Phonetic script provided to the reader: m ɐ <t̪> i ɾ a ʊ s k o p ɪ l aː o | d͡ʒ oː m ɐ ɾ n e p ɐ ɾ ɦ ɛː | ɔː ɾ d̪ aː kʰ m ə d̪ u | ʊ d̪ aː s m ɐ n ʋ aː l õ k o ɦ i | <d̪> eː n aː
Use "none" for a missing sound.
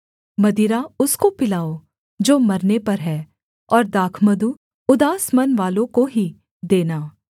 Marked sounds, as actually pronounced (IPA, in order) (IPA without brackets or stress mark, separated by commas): d̪, d̪